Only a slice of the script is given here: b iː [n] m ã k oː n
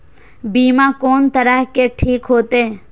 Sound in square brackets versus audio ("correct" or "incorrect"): incorrect